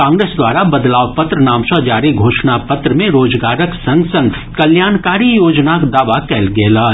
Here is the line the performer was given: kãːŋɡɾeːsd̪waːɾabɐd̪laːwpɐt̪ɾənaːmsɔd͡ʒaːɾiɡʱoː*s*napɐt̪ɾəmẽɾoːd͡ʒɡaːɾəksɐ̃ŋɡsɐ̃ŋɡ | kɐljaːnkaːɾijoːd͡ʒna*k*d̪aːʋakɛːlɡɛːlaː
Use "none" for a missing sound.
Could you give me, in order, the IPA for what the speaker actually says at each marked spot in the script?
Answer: ʃ, k

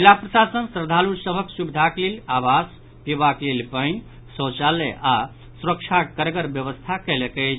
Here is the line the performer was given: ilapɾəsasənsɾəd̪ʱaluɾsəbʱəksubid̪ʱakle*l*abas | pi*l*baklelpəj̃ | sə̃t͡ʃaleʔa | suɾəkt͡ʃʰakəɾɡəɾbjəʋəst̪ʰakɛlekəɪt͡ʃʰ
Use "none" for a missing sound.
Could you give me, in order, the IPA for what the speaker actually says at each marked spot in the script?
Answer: l, none

